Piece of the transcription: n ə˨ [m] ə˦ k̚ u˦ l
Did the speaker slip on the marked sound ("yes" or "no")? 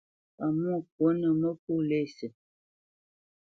no